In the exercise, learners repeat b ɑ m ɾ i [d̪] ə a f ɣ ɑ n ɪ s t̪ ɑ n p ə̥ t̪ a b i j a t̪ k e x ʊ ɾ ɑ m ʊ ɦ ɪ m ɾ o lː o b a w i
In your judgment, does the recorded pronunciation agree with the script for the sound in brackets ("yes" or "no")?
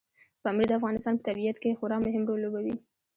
yes